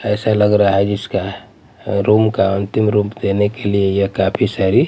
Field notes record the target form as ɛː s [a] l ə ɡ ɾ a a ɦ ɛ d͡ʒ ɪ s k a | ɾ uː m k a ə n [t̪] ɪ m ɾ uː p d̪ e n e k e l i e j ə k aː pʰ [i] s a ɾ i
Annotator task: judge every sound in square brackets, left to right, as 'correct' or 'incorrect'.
correct, correct, correct

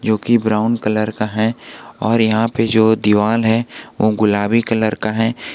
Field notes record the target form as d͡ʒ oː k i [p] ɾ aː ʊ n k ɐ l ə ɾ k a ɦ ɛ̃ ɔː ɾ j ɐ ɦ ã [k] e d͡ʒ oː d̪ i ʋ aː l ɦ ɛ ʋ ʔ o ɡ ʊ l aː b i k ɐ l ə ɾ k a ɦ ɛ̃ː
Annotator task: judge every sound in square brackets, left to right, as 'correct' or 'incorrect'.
incorrect: b, incorrect: p

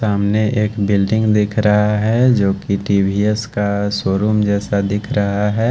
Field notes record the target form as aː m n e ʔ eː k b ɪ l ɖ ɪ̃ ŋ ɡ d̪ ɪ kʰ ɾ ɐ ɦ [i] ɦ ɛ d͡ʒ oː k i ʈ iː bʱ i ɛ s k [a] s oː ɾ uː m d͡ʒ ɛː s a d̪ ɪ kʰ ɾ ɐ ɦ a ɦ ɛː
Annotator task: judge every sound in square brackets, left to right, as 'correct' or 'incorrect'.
incorrect: a, correct

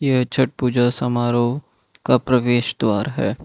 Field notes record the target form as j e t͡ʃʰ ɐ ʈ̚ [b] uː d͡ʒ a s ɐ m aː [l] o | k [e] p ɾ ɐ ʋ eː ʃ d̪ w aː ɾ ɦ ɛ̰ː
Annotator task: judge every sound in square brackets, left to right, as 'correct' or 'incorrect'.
incorrect: p, incorrect: ɾ, incorrect: a

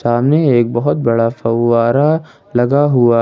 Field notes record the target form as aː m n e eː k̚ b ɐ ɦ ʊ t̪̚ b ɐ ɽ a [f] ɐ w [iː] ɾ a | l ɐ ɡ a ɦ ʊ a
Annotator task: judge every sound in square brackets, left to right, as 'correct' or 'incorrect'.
correct, incorrect: aː

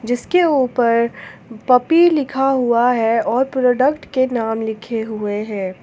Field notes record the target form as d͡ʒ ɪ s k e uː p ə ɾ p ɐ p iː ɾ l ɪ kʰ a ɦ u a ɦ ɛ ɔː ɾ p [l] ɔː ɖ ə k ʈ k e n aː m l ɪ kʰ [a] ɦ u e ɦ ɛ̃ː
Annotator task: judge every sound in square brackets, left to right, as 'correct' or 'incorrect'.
incorrect: ɾ, incorrect: e

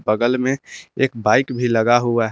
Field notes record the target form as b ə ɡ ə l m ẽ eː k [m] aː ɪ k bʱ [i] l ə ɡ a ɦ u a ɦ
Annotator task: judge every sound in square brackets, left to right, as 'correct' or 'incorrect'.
incorrect: b, correct

